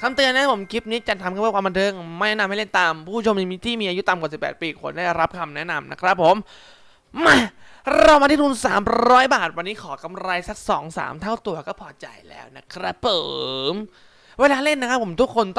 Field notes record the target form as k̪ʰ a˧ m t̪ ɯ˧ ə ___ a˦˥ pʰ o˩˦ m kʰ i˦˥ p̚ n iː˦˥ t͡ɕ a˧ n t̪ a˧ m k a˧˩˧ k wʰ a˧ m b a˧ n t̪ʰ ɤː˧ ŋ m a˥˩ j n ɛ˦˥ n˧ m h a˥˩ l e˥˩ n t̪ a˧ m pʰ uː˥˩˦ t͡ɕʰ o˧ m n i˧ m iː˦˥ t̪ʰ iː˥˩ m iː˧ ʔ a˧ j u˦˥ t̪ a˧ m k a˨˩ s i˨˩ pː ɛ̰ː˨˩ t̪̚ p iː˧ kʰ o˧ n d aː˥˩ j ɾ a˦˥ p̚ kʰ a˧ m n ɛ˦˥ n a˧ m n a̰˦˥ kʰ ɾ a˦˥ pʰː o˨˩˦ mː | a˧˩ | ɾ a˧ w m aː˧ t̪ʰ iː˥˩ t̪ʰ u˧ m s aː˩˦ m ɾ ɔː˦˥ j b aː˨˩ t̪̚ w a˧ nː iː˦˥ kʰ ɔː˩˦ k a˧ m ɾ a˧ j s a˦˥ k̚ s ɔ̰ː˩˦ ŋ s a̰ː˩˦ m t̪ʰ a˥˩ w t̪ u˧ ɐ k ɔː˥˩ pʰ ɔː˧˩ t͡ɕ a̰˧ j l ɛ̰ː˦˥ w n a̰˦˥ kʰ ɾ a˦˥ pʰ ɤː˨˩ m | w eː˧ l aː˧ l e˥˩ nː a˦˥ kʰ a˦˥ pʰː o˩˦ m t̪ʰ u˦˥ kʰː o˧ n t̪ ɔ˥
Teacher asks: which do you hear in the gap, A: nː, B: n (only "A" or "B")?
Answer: B